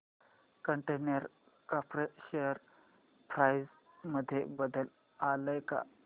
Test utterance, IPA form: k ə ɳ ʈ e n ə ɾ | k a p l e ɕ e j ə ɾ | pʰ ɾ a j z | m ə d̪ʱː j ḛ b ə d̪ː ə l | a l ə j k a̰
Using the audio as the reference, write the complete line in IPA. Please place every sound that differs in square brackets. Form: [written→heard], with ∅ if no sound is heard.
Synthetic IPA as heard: k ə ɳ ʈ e n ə ɾ | k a p [l→ɾ] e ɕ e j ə ɾ | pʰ ɾ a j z | m ə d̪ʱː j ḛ b ə [d̪ː→d̪] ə l | a l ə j k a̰